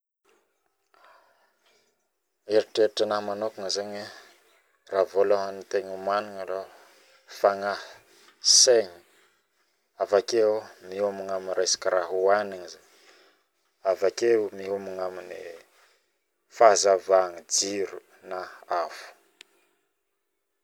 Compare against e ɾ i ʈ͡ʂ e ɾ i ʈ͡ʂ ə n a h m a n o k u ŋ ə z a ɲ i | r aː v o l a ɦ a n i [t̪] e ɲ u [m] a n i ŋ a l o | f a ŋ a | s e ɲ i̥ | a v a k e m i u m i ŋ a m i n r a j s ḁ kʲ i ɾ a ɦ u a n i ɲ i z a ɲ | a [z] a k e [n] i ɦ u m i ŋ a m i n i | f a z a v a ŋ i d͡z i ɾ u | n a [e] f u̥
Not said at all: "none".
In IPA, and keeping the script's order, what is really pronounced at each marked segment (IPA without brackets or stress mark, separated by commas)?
t̪, m, v, m, a